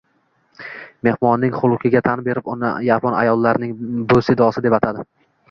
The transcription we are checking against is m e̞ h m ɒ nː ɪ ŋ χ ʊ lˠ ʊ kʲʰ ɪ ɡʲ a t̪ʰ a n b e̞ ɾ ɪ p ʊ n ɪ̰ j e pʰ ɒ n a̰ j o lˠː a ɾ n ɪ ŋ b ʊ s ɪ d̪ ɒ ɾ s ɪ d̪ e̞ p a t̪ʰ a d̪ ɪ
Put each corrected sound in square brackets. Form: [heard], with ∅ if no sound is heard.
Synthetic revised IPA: m e̞ h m ɒ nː ɪ ŋ χ ʊ lˠ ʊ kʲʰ ɪ ɡʲ a t̪ʰ a n b e̞ ɾ ɪ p ʊ n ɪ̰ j [a] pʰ ɒ n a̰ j [ɒ] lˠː a ɾ n ɪ ŋ b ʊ s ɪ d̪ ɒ [∅] s ɪ d̪ e̞ p a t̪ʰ a d̪ ɪ